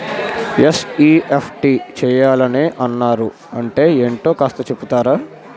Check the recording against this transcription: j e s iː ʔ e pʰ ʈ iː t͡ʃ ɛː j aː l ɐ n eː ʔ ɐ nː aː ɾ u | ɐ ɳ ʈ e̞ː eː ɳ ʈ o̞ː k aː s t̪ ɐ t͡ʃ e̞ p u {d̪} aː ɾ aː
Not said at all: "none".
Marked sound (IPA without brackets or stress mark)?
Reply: t̪